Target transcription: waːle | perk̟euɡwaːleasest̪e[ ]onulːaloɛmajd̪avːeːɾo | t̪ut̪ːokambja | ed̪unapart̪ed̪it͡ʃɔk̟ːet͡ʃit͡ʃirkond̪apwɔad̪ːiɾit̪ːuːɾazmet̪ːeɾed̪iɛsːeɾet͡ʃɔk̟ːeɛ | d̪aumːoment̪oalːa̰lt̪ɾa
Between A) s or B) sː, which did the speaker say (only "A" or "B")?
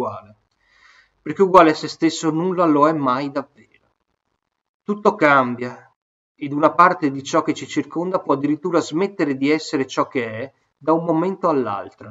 B